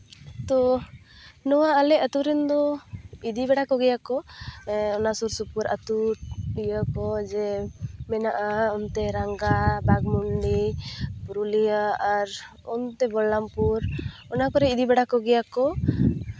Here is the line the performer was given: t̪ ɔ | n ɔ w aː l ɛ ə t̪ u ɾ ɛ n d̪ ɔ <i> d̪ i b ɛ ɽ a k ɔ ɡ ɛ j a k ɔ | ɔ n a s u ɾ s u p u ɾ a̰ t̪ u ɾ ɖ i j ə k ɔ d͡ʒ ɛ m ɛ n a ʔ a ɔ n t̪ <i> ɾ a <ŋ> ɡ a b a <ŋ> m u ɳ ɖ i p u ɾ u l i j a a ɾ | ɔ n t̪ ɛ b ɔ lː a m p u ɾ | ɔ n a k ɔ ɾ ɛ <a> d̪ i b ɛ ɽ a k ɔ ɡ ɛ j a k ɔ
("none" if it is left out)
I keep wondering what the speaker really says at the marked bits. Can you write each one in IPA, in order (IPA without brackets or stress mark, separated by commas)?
i, ɛ, ŋ, ɡ, i